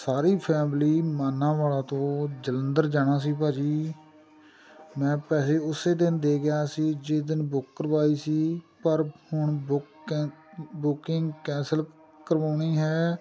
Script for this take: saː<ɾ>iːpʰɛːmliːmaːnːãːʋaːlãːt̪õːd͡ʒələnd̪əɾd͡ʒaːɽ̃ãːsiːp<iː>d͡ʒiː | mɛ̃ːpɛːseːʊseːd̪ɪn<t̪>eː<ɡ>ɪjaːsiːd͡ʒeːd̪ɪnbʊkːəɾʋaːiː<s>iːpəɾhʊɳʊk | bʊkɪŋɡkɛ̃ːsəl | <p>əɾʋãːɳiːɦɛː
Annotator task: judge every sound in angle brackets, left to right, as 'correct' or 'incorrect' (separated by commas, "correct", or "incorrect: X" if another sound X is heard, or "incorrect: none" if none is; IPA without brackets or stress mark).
correct, incorrect: aː, incorrect: d̪, correct, correct, incorrect: k